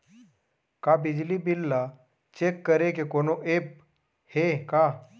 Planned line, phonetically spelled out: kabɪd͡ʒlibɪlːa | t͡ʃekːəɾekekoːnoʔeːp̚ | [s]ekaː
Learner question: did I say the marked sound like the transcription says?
no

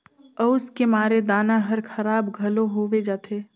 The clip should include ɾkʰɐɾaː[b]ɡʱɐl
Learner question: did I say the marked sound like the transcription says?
yes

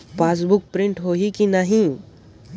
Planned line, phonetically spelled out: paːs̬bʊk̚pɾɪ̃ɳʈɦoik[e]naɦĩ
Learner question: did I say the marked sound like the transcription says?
no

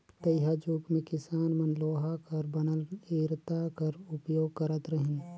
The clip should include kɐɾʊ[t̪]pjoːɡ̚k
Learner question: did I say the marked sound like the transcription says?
no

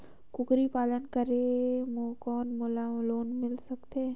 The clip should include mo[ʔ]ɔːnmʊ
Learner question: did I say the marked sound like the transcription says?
no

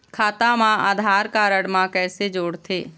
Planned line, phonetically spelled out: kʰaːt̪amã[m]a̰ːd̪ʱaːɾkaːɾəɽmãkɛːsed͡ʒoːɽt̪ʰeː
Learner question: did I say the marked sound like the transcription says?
no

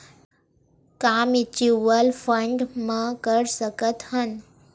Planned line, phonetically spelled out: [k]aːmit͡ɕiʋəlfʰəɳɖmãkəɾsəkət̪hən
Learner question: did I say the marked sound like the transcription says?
yes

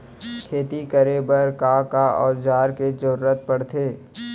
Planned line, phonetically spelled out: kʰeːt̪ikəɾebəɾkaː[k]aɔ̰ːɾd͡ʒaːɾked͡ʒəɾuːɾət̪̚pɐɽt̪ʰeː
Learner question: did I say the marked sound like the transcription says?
yes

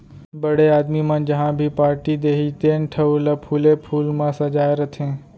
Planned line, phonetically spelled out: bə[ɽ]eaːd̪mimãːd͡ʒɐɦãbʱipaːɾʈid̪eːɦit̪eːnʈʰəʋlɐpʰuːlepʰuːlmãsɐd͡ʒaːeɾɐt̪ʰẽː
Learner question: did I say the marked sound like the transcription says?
yes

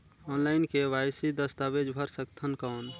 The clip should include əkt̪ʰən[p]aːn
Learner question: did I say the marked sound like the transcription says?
no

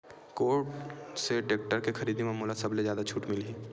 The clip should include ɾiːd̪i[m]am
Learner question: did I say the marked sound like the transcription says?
yes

